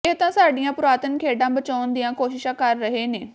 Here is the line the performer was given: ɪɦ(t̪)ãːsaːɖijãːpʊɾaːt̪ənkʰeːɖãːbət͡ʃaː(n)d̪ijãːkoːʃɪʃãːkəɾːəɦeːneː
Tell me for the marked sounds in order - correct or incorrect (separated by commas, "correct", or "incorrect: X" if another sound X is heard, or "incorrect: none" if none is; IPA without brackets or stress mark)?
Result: correct, correct